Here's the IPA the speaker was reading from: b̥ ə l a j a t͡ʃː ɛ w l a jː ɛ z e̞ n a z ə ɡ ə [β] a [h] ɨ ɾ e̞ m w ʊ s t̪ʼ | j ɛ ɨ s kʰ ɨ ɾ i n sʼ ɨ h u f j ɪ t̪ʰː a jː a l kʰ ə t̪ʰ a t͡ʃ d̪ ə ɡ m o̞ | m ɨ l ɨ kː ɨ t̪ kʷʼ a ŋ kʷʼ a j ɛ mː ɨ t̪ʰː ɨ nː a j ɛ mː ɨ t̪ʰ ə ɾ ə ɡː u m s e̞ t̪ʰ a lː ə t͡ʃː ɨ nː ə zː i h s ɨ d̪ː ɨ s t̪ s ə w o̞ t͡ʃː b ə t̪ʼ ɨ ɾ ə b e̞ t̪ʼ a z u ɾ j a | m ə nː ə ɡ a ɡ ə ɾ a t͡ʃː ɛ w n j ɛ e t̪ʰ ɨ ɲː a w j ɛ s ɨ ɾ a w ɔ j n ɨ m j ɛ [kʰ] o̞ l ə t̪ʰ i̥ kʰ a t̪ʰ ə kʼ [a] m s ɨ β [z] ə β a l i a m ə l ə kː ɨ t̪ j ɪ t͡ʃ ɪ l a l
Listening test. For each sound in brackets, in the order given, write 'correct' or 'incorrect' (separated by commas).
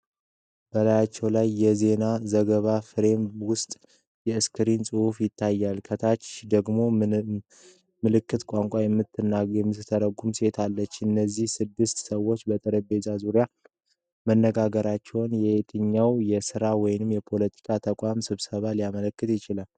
correct, incorrect, incorrect, correct, incorrect